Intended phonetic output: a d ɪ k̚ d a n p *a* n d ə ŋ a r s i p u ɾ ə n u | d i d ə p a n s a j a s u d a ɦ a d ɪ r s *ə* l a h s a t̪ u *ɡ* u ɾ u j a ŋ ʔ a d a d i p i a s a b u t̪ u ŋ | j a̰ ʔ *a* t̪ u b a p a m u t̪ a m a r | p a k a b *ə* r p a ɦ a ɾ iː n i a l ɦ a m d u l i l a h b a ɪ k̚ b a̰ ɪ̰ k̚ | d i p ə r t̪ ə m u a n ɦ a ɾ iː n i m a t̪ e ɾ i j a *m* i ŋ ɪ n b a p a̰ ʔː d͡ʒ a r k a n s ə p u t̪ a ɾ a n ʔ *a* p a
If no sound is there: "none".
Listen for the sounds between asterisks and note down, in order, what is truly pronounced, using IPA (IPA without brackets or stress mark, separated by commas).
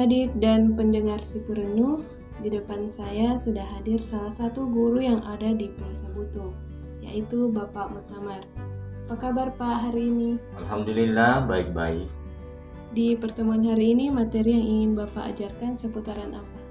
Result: ə, a, ɡ, i, a, ŋ, a